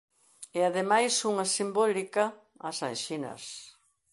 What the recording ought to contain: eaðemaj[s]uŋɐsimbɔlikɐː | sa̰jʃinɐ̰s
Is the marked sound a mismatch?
no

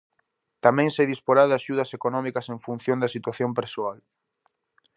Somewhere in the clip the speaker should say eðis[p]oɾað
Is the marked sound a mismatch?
no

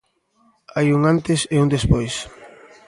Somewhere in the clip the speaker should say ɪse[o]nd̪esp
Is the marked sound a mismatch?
yes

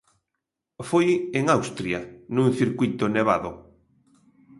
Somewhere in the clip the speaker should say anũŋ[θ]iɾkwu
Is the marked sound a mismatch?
no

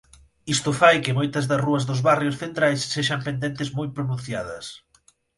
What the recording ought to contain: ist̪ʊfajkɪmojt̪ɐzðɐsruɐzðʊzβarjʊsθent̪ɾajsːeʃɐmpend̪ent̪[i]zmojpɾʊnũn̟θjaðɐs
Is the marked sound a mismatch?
yes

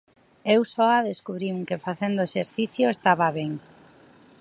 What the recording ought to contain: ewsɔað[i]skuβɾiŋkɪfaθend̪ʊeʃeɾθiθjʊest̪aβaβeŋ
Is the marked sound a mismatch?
yes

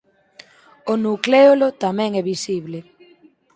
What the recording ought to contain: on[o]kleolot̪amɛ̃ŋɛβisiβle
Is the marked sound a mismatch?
yes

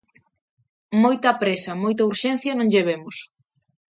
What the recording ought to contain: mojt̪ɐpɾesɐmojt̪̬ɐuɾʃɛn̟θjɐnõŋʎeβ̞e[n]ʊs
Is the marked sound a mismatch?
yes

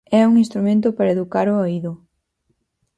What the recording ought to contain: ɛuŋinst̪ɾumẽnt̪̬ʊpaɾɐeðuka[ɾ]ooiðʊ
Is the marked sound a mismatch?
no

